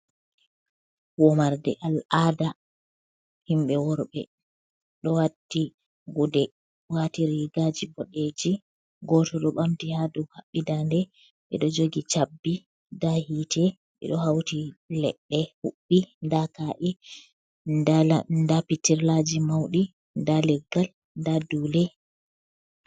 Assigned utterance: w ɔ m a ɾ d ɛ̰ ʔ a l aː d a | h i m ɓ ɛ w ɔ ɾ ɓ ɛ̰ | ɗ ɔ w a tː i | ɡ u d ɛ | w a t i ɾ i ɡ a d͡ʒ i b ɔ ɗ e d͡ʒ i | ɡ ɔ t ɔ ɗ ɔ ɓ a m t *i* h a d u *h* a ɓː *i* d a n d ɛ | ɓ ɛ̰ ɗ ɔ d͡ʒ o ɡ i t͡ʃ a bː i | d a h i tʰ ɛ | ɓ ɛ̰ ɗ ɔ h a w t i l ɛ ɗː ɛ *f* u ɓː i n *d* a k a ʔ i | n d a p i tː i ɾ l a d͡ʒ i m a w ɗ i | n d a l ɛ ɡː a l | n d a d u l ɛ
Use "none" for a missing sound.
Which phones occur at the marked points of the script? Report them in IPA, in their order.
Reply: i, h, i, h, d

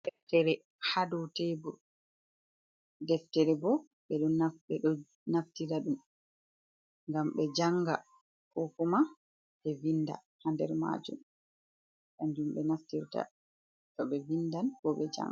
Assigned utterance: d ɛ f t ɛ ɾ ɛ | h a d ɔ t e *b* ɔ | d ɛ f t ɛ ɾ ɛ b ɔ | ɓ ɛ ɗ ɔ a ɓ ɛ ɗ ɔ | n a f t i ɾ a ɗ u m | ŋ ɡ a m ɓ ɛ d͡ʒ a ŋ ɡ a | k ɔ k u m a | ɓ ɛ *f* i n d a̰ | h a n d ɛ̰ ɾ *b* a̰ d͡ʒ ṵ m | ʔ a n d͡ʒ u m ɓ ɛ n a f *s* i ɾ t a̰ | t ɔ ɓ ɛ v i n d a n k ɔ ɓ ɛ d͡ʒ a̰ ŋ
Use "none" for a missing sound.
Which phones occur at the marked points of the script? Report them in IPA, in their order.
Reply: b, v, m, t

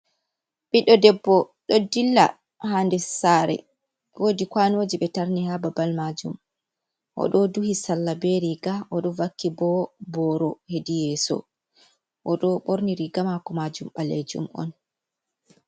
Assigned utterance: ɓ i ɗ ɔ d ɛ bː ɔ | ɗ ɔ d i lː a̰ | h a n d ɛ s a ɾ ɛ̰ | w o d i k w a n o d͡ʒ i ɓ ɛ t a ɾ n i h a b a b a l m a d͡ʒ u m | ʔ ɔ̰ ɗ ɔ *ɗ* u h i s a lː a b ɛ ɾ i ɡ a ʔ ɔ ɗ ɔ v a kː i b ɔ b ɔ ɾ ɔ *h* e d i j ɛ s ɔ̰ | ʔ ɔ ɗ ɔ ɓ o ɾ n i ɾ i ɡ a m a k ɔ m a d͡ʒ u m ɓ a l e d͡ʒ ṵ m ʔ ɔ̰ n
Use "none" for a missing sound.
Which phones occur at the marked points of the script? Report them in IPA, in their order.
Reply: d, h

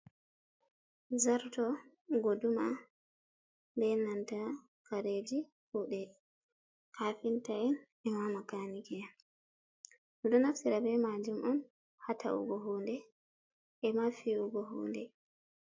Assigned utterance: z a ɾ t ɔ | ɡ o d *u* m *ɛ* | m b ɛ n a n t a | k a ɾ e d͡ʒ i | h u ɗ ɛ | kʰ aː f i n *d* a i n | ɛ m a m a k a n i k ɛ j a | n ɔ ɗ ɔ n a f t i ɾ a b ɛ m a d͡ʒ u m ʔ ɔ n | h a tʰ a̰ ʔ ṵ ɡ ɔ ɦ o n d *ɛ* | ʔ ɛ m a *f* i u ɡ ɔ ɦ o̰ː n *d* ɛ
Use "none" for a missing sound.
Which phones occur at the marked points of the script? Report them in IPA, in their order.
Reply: u, a, t, ɛ, f, d

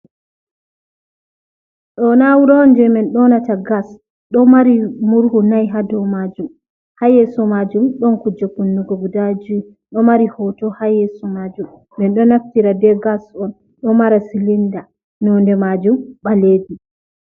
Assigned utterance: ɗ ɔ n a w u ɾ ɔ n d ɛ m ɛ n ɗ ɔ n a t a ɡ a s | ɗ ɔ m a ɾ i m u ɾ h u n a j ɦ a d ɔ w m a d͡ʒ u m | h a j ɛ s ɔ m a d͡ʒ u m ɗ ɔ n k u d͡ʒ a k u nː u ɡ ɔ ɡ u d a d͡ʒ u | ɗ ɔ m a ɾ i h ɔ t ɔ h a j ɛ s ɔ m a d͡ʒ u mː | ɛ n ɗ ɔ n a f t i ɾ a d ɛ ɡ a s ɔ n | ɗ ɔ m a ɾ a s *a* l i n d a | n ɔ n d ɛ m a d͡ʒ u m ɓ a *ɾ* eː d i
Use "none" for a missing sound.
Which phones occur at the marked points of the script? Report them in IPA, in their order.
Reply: i, l

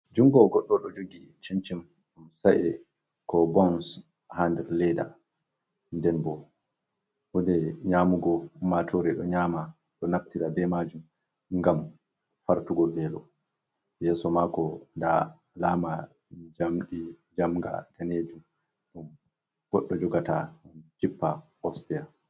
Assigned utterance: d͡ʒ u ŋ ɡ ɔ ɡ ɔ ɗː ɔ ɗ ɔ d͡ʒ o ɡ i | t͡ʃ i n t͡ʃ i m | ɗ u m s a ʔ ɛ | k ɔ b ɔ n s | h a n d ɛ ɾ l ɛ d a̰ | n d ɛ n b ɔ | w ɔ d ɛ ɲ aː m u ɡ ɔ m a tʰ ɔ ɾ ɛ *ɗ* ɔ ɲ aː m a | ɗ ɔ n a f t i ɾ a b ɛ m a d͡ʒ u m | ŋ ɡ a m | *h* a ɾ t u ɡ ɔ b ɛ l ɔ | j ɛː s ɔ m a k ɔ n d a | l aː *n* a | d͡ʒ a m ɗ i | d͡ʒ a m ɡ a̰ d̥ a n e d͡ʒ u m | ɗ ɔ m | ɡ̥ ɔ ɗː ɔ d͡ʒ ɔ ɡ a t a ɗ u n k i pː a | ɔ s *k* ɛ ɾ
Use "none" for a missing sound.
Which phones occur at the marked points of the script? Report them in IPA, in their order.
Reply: ɗ, f, m, t

